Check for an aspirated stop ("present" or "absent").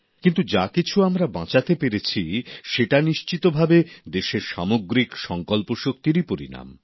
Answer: present